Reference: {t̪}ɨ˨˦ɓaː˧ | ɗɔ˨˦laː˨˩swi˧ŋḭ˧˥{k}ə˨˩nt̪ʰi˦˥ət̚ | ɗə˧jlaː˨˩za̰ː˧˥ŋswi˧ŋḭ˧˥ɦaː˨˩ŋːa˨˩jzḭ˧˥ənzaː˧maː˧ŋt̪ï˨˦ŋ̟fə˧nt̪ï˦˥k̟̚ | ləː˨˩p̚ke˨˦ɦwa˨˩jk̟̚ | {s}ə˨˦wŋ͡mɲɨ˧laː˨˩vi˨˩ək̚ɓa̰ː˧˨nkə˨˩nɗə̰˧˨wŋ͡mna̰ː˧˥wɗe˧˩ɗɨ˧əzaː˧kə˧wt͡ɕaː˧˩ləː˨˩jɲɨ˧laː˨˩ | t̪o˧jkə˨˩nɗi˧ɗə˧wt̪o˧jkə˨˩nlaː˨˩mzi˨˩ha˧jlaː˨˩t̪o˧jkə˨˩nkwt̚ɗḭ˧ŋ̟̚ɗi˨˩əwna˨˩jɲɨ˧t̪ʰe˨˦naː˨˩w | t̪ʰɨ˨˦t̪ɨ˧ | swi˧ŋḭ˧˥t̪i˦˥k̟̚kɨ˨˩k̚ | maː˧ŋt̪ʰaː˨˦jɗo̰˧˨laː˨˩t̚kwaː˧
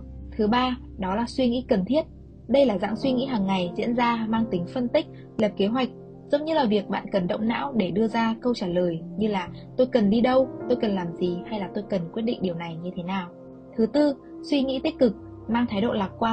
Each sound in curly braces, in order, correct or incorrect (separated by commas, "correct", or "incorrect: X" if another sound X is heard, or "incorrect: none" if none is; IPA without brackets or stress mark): incorrect: t̪ʰ, correct, incorrect: z